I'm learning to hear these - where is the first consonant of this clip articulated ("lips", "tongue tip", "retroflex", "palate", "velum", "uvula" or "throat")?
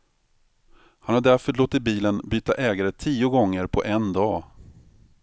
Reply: throat